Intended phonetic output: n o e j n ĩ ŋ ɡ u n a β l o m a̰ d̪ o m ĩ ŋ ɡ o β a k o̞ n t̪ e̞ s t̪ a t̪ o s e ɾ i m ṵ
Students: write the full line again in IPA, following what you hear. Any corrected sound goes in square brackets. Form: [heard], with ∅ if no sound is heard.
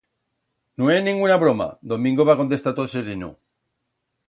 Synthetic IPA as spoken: n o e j n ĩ ŋ ɡ u n a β [ɾ] o m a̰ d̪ o m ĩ ŋ ɡ o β a k o̞ n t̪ e̞ s t̪ a t̪ o s e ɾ i [n] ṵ